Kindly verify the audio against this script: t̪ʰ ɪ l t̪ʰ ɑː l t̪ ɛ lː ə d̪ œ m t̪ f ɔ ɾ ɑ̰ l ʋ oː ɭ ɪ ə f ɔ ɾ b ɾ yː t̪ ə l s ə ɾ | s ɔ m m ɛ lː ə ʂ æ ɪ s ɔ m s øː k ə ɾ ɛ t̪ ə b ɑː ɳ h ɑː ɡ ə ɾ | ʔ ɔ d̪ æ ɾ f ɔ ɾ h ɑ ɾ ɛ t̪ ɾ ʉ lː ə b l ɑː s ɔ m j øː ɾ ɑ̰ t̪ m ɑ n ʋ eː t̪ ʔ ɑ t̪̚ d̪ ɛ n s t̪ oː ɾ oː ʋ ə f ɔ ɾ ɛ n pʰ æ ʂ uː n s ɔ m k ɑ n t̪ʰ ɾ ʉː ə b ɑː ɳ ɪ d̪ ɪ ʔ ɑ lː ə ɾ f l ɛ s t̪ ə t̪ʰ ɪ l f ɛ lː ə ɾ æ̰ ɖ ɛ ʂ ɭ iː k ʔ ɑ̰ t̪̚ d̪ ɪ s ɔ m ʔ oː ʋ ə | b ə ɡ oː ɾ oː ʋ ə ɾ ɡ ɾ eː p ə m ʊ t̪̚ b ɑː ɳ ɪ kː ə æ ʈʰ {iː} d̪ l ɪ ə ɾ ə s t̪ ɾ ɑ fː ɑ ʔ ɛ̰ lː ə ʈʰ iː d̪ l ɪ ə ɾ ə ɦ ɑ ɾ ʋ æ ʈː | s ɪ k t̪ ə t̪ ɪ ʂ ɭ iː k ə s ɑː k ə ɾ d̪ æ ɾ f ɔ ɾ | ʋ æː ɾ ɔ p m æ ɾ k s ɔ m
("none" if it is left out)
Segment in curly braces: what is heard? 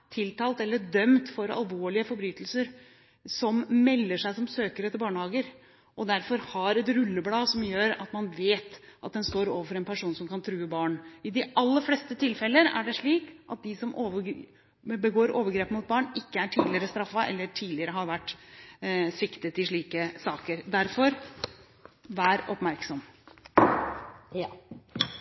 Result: iː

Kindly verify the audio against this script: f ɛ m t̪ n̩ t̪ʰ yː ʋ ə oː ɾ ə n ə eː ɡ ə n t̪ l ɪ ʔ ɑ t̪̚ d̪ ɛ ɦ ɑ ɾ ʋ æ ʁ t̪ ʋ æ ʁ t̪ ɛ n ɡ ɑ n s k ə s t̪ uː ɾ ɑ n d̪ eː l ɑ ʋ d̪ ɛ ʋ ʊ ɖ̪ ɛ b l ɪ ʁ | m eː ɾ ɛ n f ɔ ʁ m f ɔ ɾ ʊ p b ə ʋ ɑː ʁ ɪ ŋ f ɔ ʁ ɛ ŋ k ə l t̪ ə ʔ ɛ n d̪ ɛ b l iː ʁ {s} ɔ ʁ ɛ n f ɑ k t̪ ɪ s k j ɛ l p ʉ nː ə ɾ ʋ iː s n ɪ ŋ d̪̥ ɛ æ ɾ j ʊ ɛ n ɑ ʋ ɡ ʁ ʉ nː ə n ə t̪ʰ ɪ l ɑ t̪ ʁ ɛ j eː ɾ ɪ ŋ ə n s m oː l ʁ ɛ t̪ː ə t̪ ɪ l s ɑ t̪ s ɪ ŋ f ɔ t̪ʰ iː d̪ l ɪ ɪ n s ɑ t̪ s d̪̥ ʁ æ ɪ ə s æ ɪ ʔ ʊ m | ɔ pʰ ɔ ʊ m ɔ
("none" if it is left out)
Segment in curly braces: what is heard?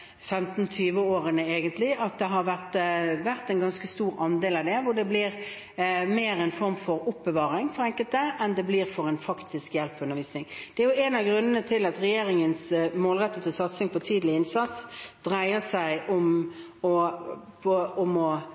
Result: f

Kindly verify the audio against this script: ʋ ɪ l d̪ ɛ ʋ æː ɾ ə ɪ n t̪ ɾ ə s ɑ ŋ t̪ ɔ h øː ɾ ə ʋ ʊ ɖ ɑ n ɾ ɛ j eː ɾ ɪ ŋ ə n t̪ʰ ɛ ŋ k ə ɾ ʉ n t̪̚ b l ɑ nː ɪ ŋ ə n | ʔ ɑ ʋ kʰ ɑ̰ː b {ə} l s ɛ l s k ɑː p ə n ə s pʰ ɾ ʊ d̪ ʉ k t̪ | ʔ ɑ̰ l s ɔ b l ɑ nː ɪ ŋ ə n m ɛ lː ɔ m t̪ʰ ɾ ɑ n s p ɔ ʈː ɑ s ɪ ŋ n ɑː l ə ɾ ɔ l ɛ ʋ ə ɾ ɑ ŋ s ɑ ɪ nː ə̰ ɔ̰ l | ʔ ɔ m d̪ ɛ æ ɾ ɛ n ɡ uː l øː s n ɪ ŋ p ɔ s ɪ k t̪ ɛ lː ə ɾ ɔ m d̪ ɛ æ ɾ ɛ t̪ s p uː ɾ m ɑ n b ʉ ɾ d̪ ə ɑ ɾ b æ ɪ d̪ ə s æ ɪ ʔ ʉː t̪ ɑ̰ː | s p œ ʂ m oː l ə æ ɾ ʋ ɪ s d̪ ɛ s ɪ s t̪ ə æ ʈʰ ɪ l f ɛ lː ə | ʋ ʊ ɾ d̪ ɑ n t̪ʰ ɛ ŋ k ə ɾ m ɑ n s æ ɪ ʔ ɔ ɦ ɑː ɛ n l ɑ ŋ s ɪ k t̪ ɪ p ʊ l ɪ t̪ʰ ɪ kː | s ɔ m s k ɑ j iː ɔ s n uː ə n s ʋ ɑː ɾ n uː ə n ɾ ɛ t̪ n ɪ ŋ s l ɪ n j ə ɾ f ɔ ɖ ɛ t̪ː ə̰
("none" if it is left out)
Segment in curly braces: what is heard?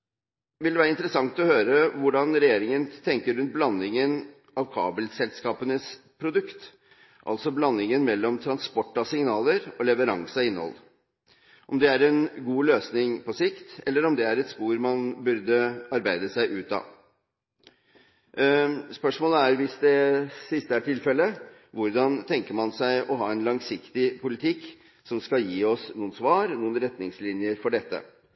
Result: ə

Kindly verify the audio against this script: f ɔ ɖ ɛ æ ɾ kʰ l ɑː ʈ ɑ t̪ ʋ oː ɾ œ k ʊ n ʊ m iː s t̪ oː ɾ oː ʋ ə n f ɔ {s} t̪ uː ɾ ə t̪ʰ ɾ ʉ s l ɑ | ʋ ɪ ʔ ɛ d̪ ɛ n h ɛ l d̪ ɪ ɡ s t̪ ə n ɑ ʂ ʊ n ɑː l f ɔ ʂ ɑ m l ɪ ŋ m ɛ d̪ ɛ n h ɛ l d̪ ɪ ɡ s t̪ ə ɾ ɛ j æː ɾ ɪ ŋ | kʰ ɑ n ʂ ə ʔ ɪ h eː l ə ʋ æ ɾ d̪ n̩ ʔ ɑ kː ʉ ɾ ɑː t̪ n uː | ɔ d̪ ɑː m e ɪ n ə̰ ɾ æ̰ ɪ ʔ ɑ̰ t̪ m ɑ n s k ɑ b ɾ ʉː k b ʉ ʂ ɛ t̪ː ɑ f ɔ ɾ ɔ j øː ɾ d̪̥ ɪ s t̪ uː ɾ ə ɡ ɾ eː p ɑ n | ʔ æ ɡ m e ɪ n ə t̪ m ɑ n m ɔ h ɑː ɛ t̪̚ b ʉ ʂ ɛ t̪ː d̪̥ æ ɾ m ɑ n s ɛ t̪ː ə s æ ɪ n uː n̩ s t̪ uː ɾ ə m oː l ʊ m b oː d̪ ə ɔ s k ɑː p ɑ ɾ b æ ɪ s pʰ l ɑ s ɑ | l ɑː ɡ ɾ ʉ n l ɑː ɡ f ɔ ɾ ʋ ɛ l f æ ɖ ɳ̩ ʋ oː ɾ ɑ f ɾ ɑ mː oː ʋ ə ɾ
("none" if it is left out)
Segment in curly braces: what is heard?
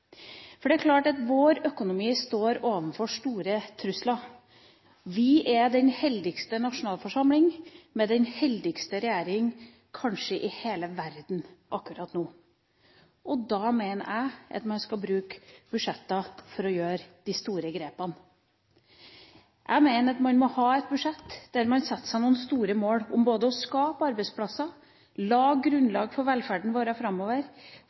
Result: ʂ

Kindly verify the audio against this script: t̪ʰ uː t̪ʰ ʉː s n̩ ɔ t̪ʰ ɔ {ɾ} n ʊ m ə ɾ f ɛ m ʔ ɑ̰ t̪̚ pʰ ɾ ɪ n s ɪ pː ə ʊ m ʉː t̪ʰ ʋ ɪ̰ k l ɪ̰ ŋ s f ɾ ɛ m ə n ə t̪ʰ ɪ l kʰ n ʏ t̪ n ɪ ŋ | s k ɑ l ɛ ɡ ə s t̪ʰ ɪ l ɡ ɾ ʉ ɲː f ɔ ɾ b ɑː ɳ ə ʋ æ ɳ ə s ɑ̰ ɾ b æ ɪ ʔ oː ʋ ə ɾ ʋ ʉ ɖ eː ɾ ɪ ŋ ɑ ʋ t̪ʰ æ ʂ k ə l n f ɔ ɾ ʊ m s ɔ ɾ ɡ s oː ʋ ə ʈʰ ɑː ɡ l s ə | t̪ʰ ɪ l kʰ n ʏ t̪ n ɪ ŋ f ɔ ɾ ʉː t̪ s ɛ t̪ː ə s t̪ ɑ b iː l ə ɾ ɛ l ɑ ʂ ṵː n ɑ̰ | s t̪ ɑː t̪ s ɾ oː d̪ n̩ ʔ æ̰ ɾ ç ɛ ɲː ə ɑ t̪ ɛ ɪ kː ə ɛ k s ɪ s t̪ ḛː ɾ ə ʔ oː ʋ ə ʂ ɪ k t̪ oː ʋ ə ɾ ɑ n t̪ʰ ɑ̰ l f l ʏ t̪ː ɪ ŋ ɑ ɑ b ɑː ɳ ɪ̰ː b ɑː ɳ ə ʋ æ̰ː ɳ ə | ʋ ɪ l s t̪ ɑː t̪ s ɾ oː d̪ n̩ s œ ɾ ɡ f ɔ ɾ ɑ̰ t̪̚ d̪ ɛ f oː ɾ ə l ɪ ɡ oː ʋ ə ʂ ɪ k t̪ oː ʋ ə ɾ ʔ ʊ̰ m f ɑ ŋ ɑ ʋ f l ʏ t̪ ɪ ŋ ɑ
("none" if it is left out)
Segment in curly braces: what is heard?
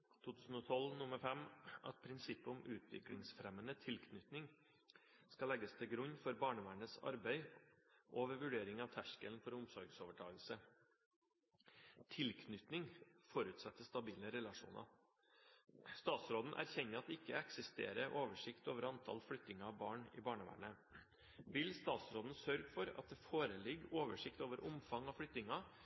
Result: l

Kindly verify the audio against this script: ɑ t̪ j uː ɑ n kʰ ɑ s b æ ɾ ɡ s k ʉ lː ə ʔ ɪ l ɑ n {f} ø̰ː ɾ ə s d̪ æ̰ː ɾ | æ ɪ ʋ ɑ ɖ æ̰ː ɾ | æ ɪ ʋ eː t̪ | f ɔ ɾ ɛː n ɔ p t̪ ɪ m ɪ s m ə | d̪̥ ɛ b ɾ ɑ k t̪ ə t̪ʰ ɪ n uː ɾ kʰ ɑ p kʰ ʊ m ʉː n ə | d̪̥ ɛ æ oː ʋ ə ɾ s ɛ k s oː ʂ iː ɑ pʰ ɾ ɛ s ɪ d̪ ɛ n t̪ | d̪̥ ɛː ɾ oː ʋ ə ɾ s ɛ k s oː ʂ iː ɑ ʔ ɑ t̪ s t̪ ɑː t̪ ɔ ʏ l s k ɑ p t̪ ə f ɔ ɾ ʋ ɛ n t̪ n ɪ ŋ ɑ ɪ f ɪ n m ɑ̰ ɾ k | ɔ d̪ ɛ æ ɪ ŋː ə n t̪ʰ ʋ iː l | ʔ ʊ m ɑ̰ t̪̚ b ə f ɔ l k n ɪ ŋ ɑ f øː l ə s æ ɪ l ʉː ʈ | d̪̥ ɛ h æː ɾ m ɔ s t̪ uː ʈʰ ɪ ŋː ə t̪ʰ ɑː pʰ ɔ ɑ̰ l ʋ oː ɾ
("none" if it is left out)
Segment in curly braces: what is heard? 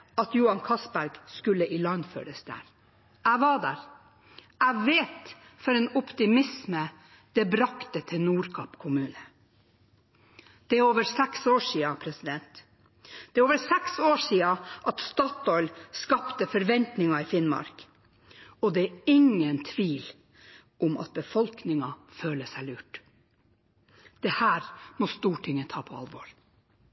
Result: f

